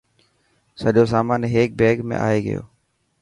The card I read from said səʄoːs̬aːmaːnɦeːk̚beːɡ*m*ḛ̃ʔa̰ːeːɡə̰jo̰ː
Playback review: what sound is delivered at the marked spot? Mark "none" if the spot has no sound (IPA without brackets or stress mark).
m